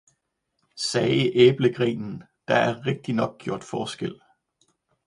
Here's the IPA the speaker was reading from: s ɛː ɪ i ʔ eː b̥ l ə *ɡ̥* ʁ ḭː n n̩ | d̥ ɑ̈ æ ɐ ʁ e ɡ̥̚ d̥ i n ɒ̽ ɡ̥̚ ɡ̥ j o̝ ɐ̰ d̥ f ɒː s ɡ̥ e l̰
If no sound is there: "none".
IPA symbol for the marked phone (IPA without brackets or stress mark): ɡ̥